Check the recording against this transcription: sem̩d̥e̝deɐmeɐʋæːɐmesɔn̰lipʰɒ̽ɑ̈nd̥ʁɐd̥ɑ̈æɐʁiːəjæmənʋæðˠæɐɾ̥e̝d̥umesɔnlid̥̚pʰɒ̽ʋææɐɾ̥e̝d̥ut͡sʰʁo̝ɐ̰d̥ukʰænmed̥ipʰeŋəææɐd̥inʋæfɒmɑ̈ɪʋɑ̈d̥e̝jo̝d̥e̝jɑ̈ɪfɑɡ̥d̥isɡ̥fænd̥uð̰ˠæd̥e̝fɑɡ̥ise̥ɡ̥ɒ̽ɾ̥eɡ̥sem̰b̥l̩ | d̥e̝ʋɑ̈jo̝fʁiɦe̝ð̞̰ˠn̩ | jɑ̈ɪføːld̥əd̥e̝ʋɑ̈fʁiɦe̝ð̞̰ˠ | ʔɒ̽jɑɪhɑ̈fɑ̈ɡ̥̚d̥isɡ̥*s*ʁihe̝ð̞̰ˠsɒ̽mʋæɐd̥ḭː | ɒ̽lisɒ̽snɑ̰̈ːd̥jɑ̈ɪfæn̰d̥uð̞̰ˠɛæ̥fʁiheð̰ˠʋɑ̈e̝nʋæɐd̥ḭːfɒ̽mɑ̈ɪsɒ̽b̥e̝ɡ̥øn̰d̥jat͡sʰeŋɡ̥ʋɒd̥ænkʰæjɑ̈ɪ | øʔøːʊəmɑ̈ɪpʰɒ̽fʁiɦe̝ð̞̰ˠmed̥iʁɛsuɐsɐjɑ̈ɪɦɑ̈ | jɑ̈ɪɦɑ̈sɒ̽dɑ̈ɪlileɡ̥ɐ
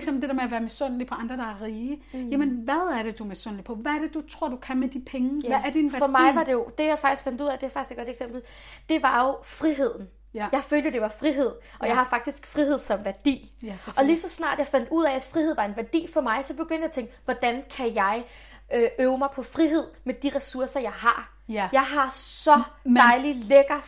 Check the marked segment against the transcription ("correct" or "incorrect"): incorrect